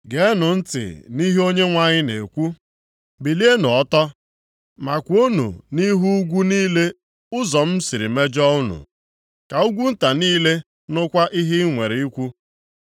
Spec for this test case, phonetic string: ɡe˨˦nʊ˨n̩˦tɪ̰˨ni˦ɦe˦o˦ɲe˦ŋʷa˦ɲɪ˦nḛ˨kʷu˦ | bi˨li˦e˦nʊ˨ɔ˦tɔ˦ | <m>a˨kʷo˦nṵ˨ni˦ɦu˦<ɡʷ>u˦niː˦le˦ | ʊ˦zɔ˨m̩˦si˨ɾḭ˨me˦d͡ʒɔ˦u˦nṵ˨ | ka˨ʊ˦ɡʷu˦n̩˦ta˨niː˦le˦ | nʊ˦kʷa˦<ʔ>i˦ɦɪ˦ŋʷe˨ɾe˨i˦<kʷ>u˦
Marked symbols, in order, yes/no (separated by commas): yes, yes, yes, yes